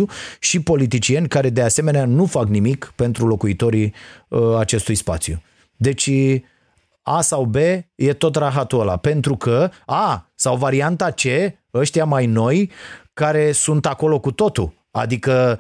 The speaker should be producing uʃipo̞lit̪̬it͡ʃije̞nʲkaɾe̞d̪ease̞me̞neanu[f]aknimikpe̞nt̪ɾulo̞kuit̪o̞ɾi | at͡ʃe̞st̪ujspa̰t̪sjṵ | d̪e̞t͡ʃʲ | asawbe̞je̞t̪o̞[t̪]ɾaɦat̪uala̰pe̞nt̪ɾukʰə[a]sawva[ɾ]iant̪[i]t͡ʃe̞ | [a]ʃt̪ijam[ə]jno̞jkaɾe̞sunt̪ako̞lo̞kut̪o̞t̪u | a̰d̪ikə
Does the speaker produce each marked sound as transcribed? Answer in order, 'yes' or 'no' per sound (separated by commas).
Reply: yes, yes, yes, yes, no, no, no